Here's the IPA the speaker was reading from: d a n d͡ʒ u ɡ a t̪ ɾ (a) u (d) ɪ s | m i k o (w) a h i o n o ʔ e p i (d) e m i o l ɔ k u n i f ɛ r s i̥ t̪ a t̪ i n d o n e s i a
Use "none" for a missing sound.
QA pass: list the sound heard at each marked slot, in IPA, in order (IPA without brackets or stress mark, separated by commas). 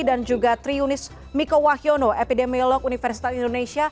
i, n, w, d